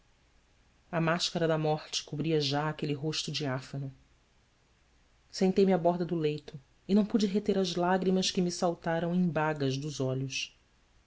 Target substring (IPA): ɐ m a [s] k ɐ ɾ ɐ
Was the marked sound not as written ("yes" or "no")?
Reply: yes